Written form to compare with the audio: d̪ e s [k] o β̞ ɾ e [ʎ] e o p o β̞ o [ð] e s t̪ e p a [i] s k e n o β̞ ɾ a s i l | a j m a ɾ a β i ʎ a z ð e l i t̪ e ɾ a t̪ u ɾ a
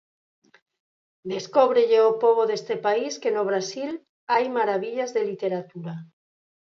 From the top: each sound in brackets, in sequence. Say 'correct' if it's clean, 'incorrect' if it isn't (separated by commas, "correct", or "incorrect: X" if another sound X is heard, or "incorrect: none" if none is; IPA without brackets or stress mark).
correct, correct, correct, correct